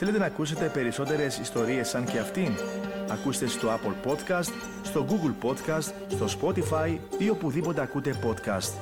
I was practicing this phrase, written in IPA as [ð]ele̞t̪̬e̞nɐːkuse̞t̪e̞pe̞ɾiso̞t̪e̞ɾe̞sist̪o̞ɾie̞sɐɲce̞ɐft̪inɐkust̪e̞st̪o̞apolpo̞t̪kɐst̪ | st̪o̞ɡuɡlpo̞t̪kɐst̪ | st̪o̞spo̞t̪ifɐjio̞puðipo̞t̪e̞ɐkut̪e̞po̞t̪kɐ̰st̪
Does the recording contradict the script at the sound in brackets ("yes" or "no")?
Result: yes